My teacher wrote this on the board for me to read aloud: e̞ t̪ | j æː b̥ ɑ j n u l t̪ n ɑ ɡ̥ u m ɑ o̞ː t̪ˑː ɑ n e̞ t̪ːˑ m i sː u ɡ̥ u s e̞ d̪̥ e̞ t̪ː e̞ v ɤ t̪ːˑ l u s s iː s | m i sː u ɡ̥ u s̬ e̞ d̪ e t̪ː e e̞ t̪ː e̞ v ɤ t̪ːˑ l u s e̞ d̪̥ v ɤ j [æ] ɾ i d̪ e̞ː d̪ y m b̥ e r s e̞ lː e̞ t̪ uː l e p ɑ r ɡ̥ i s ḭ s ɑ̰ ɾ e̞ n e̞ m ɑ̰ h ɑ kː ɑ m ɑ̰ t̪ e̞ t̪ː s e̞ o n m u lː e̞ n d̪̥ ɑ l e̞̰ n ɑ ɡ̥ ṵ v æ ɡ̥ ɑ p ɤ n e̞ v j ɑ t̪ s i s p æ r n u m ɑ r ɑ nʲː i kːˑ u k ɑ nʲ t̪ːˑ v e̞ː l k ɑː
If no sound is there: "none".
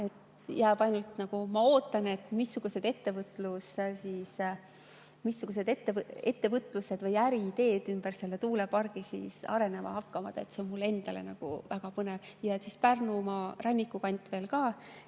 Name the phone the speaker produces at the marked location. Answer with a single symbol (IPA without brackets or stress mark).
æ